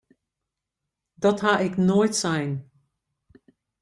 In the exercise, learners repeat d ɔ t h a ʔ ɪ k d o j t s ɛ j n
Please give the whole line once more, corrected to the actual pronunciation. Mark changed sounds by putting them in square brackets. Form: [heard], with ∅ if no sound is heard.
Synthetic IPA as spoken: d ɔ t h a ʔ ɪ k [n] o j t s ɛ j n